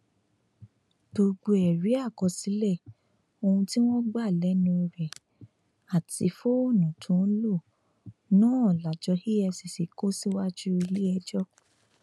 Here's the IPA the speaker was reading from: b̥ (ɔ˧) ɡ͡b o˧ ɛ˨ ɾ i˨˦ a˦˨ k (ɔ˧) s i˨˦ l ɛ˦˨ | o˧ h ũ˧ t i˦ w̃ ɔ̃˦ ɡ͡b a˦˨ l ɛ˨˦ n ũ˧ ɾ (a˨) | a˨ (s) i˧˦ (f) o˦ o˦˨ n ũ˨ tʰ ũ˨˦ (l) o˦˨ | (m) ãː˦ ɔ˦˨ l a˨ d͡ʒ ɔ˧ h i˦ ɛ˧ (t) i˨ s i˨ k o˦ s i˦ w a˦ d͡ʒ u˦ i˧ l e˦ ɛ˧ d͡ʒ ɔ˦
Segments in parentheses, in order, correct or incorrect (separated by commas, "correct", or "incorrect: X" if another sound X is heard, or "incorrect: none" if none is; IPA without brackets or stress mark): incorrect: o˧, correct, incorrect: ɛ˨, incorrect: t, correct, correct, incorrect: n, incorrect: s